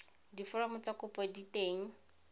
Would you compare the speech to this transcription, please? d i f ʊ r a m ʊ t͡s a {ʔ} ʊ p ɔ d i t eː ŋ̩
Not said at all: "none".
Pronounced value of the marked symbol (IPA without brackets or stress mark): k